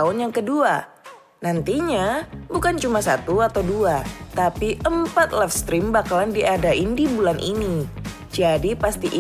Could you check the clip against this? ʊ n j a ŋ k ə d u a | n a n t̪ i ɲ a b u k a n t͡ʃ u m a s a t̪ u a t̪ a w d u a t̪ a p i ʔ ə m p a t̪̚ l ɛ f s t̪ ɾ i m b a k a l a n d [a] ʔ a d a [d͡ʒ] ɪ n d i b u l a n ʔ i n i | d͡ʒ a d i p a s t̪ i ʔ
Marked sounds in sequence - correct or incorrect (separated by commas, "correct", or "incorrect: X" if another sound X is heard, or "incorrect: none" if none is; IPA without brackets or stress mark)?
incorrect: i, incorrect: none